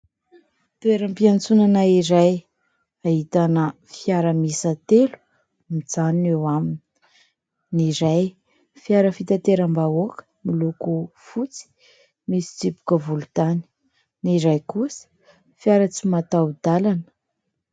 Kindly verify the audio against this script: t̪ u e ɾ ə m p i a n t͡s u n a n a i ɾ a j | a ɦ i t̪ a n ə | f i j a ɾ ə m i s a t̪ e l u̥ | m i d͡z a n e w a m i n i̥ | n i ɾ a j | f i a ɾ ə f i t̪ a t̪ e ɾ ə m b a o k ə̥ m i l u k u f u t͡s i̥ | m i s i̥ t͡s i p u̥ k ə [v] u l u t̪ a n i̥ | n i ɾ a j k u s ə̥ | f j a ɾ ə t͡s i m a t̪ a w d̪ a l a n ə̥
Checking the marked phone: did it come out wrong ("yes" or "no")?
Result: no